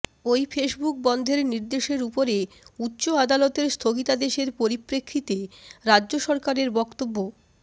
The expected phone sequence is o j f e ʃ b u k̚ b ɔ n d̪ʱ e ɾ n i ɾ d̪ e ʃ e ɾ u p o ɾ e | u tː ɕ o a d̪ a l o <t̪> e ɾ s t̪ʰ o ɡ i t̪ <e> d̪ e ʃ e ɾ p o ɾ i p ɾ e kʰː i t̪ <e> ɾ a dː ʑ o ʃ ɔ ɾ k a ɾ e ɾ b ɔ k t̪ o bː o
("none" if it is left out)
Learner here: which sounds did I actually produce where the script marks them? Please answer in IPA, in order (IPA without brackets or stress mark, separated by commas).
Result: t̪, a, e